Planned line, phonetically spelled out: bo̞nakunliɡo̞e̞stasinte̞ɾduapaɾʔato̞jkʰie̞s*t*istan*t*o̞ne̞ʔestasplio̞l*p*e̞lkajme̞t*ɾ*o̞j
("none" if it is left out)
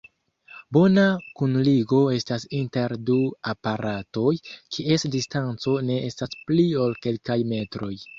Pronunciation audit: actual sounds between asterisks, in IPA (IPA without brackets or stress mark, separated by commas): d, t͡s, k, ɾ